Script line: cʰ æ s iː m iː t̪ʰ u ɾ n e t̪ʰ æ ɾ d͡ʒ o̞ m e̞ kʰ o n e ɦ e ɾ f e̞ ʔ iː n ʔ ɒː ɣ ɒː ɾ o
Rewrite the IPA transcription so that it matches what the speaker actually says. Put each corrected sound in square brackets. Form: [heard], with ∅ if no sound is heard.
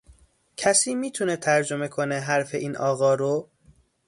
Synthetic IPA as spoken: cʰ æ s iː m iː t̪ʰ u [∅] n e t̪ʰ æ ɾ d͡ʒ o̞ m e̞ kʰ o n e ɦ [æ] ɾ f e̞ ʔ iː n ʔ ɒː ɣ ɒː ɾ o